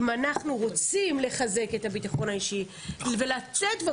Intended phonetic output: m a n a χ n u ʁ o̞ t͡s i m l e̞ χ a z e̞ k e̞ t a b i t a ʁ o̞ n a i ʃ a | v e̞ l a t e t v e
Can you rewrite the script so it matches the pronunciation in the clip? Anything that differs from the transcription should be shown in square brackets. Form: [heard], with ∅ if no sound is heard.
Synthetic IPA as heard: m a n a χ n u ʁ o̞ t͡s i m l e̞ χ a z e̞ k e̞ t a b i t a [χ] o̞ n a i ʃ [i] | v e̞ l a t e t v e